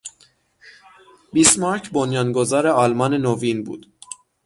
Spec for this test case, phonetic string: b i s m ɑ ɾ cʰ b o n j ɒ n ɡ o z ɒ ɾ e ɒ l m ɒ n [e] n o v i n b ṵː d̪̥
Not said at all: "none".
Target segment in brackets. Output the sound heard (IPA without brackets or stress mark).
e